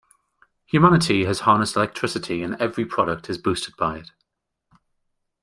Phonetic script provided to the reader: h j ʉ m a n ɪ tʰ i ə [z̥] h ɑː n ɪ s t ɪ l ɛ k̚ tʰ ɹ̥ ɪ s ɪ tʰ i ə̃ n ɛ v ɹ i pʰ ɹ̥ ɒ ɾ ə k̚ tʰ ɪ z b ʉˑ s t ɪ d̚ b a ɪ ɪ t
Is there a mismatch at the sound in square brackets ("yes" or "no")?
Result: no